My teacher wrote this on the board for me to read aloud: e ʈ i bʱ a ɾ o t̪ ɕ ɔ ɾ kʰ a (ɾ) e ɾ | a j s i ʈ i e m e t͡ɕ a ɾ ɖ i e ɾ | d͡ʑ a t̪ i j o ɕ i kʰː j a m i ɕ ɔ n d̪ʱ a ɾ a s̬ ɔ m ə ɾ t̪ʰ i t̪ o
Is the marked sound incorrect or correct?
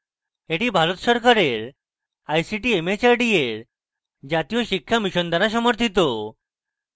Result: correct